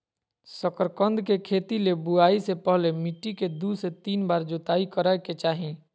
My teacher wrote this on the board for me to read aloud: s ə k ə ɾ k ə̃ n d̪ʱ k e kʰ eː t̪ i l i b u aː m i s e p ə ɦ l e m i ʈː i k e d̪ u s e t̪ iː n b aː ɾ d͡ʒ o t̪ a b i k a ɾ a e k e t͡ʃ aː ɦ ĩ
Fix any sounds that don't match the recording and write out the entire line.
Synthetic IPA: s ə k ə ɾ k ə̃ n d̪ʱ k e kʰ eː t̪ i l e b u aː i s e p ə ɦ l e m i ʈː i k e d̪ u s e t̪ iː n b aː ɾ d͡ʒ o t̪ a i k ə ɾ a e k e t͡ʃ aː ɦ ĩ